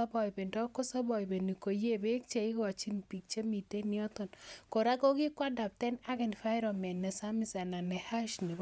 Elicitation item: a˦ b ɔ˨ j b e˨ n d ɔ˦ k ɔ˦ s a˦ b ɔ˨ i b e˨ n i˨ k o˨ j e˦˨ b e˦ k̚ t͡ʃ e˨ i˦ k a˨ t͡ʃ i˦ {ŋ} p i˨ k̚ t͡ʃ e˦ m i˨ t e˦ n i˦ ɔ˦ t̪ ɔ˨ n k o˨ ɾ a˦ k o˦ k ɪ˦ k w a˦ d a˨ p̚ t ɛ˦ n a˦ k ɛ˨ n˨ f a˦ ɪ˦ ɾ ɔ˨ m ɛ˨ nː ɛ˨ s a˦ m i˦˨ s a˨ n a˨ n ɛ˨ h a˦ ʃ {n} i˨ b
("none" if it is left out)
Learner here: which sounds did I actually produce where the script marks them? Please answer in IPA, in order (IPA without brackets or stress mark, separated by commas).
n, n